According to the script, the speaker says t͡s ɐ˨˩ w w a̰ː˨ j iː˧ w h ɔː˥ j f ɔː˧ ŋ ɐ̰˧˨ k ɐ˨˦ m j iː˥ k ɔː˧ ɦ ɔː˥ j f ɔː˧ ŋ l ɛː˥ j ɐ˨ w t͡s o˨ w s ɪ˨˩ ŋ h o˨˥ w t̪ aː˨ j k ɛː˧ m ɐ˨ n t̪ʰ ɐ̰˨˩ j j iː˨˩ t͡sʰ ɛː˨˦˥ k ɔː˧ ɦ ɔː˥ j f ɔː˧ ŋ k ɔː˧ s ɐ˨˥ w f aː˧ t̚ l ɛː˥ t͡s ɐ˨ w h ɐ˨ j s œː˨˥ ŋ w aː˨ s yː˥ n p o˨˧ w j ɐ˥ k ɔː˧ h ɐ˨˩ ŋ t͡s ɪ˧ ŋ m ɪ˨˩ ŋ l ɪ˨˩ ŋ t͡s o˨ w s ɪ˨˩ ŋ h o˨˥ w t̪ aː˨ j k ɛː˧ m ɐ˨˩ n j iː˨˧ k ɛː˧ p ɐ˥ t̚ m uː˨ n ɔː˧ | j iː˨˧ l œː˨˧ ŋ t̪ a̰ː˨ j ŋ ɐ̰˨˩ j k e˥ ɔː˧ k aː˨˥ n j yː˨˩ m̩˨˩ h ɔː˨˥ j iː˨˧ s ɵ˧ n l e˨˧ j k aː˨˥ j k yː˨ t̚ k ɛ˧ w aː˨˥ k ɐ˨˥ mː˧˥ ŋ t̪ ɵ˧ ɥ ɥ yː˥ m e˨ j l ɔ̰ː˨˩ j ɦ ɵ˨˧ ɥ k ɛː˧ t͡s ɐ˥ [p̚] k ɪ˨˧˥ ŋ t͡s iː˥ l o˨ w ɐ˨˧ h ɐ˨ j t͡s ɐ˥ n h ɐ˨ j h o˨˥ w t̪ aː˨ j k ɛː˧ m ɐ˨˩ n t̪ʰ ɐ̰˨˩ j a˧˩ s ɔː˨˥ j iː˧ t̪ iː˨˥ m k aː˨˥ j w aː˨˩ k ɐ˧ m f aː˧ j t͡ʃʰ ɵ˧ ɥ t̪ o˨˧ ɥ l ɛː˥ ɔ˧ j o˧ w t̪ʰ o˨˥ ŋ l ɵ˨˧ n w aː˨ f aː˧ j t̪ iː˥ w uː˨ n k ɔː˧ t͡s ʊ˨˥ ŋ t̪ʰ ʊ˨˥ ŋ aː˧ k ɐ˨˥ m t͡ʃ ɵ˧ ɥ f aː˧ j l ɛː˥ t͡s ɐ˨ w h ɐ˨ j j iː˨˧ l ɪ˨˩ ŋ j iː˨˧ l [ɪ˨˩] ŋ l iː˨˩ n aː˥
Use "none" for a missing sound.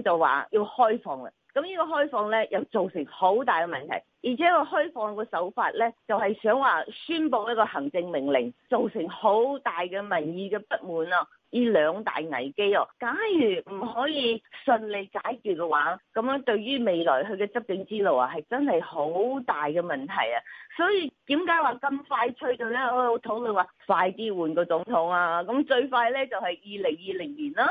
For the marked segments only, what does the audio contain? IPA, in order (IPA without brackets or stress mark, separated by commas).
p̚, ɪ˨˩